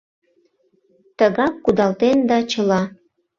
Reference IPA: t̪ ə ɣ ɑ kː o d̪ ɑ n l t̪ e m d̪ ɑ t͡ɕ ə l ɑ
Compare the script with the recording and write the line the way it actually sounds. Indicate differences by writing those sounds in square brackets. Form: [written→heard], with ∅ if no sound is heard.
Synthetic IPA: t̪ ə ɣ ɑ kː [o→u] d̪ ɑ [n→∅] l t̪ e [m→n] d̪ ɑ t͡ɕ ə l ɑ

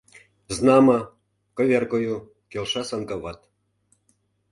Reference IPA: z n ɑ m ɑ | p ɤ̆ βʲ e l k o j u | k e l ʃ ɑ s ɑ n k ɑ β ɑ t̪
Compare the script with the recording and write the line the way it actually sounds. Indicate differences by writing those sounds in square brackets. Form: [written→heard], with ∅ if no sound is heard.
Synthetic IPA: z n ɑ m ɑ | [p→k] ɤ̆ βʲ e [l→r] k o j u | k e l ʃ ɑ s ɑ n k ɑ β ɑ t̪

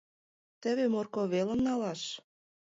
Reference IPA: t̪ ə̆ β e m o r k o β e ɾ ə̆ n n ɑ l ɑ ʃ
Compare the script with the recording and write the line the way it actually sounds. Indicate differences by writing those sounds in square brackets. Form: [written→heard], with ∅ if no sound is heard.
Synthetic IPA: t̪ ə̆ β e m o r k o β e [ɾ→l] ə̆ [n→m] n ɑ l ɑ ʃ

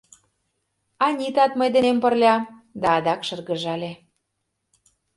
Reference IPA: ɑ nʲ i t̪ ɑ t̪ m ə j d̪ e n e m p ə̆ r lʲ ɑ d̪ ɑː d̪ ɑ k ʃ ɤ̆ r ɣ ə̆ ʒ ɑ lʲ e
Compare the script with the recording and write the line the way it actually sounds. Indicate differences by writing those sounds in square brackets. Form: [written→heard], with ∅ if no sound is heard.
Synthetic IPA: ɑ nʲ i t̪ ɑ t̪ m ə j d̪ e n e m p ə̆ r lʲ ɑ d̪ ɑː d̪ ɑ k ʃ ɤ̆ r ɣ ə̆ ʒ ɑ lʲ e

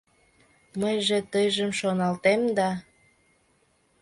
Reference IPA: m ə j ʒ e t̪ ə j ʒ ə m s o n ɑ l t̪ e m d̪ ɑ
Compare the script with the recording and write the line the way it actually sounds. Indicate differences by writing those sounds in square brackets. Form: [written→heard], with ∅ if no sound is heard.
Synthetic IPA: m ə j ʒ e t̪ ə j ʒ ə m [s→ʃ] o n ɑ l t̪ e m d̪ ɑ

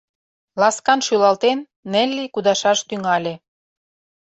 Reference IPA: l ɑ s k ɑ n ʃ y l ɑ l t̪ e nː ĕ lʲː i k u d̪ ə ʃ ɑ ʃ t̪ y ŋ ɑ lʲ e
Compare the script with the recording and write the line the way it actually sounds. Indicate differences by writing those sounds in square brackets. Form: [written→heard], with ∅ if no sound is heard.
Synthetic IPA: l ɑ s k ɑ n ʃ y l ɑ l t̪ e nː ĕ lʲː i k u d̪ [ə→ɑ] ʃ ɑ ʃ t̪ y ŋ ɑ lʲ e

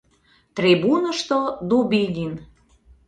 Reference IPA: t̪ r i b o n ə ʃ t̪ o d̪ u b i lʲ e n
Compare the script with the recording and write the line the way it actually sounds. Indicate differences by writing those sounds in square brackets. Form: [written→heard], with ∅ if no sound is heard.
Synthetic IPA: t̪ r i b [o→u] n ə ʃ t̪ o d̪ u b i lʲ [e→i] n

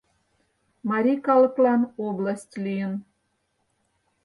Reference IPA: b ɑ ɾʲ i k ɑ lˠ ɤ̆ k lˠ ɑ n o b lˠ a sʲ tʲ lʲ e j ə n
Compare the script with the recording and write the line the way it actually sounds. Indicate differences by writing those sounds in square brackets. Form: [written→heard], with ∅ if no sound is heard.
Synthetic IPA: [b→m] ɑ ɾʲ i k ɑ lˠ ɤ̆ k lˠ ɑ n o b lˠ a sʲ tʲ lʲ [e→i] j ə n

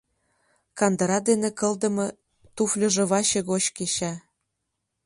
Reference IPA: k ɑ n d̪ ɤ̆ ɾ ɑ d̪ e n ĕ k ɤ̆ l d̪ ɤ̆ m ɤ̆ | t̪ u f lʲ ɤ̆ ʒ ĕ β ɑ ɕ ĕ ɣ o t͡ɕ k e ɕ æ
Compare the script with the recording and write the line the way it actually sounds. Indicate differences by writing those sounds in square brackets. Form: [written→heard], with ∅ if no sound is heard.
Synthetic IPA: k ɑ n d̪ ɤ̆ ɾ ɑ d̪ e n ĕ k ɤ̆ l d̪ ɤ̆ m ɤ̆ | t̪ u f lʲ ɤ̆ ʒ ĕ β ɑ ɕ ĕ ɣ o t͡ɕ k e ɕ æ

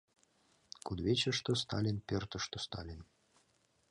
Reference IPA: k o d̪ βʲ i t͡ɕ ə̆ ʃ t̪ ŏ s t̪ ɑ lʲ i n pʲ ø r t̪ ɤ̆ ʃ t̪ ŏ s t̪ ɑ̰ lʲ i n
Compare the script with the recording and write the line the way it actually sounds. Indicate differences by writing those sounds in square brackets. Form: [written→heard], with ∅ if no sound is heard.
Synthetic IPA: k [o→u] d̪ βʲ [i→e] t͡ɕ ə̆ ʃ t̪ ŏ s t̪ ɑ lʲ i n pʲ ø r t̪ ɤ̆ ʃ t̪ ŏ s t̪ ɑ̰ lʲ i n

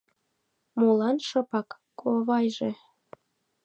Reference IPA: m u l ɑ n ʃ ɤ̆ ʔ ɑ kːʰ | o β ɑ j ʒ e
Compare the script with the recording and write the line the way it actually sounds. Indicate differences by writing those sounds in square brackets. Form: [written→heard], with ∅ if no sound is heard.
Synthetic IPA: m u l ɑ n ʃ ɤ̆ [ʔ→p] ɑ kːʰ | o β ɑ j ʒ e

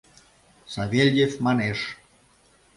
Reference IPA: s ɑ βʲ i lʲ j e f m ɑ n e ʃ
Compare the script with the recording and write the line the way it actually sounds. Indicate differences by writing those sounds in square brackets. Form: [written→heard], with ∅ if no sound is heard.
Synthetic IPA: s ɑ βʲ [i→e] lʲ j e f m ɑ n e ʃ

